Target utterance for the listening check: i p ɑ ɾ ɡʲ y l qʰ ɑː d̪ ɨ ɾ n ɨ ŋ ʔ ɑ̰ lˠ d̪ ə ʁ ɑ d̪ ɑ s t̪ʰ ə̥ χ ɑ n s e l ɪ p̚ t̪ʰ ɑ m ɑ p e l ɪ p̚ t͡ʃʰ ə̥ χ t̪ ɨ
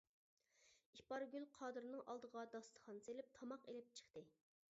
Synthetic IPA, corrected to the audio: i p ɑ ɾ ɡʲ y l qʰ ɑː d̪ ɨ ɾ n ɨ ŋ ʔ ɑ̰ lˠ d̪ ə ʁ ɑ d̪ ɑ s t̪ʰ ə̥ χ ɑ n s e l ɪ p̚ t̪ʰ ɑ m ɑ q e l ɪ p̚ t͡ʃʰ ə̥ χ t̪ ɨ